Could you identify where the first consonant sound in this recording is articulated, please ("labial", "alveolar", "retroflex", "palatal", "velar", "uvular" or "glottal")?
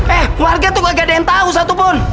glottal